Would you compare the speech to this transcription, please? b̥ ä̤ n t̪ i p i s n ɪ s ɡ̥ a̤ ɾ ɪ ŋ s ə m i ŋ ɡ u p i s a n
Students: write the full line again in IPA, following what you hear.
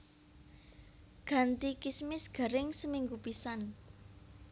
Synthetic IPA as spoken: ɡ̥ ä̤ n t̪ i k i s m ɪ s ɡ̥ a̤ ɾ ɪ ŋ s ə m i ŋ ɡ u p i s a n